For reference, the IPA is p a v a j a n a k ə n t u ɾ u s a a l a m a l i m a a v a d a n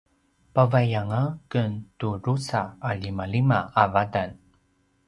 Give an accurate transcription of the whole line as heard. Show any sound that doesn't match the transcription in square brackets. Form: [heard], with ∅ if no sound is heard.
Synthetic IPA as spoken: p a v a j a [ŋ] a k ə n t u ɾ u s a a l [i] m a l i m a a v a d a n